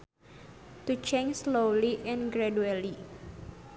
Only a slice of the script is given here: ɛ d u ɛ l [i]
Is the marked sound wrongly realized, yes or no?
no